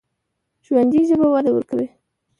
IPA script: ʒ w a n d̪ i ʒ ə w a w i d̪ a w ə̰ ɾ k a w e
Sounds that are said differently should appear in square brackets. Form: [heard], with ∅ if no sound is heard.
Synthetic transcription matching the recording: ʒ w a n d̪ i ʒ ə [b] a w [a] d̪ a w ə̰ ɾ k a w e